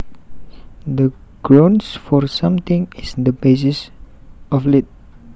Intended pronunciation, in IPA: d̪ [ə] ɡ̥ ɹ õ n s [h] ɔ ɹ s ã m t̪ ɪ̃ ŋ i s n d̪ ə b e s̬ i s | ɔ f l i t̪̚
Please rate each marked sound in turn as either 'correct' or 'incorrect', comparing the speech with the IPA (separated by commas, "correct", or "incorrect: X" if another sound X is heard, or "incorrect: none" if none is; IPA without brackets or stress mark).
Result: correct, incorrect: f